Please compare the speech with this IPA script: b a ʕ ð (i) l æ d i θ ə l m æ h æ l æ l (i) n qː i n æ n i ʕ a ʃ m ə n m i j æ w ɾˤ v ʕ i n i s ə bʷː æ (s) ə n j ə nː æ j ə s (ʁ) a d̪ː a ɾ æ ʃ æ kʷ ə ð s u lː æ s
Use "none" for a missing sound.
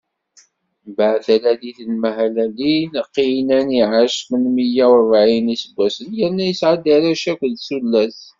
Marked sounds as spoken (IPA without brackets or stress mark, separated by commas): æ, i, s, ʕ